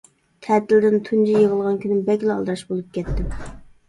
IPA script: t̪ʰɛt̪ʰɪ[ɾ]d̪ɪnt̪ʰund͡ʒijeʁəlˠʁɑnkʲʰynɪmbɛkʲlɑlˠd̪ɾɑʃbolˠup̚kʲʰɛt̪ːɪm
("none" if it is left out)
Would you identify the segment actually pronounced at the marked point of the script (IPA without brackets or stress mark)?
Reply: l